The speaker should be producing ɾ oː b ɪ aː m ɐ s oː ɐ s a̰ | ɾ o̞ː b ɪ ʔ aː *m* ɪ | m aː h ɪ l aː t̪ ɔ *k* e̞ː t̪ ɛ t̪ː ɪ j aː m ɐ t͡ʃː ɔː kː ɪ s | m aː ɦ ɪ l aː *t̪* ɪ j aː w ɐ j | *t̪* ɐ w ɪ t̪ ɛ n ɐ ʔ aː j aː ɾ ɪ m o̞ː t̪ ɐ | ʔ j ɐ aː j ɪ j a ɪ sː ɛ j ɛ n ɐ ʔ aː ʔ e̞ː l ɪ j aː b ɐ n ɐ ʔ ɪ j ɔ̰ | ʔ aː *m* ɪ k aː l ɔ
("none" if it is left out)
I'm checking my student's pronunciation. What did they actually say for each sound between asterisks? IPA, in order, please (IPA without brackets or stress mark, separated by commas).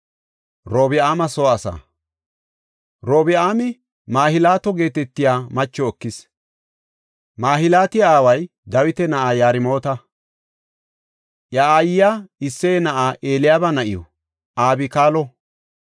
m, ɡ, t̪, d̪, b